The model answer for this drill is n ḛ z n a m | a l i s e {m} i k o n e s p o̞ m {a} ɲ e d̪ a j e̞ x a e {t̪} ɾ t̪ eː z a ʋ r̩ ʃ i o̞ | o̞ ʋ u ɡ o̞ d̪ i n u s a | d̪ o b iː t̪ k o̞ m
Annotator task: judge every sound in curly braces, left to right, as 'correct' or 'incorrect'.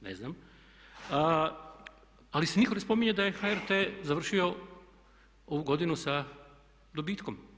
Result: incorrect: n, incorrect: i, incorrect: none

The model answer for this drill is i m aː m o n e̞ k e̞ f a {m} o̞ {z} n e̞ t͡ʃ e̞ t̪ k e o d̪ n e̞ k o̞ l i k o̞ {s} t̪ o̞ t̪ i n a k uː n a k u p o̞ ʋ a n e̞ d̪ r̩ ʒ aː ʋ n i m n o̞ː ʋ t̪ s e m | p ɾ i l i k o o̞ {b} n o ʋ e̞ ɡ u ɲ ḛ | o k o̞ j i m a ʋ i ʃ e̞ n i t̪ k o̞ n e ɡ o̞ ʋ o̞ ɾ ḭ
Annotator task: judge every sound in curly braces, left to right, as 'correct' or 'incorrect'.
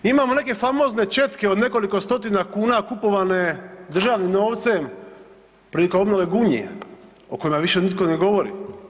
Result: correct, correct, correct, correct

